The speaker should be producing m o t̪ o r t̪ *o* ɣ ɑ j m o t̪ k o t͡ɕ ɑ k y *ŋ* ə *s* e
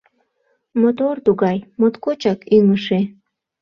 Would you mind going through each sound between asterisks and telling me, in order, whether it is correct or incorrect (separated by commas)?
incorrect, correct, incorrect